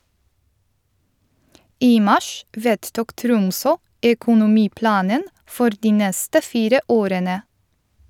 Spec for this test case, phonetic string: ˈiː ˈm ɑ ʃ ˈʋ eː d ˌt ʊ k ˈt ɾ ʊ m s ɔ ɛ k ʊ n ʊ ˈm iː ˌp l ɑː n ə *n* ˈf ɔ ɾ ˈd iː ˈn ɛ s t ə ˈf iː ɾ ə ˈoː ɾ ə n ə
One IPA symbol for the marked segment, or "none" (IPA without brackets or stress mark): n